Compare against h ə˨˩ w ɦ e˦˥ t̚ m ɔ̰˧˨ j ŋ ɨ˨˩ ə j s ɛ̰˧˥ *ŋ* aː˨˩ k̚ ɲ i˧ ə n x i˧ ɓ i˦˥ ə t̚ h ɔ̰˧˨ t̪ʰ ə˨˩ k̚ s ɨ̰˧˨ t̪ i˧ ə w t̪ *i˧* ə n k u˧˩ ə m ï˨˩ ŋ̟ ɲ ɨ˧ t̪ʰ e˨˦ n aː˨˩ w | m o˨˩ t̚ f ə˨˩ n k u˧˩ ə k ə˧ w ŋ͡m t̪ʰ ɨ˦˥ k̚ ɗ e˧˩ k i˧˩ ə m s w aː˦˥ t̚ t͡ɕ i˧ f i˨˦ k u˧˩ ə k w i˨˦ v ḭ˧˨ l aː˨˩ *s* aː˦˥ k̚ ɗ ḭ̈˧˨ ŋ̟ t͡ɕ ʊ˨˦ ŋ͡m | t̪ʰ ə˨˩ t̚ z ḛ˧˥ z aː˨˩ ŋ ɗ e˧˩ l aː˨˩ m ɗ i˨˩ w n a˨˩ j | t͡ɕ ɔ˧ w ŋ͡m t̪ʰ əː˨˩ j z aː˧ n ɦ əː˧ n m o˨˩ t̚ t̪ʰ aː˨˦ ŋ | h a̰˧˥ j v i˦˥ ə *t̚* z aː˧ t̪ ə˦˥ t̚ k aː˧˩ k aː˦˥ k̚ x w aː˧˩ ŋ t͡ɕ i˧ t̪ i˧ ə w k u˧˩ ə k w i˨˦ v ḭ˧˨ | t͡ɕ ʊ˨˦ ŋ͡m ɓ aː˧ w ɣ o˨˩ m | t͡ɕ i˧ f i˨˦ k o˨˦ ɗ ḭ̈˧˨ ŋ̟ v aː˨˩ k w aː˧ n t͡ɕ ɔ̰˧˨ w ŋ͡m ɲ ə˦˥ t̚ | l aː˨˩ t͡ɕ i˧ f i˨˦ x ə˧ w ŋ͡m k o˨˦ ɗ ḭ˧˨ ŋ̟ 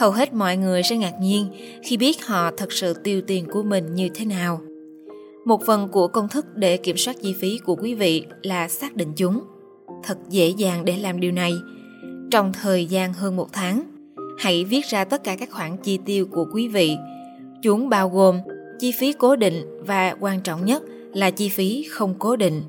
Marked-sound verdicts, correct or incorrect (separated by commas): correct, incorrect, correct, correct